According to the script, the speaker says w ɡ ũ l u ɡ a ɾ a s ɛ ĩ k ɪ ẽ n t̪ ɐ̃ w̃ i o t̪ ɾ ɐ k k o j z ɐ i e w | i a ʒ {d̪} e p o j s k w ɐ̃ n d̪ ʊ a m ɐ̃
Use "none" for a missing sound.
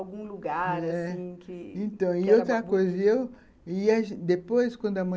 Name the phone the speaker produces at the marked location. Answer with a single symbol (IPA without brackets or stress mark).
d̪